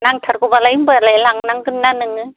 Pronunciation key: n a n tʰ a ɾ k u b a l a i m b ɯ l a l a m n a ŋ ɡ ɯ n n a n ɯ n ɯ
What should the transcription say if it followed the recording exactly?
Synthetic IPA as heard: n a ŋ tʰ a ɾ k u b a l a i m b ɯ l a l a ŋ n a ŋ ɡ ɯ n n a n ɯ ŋ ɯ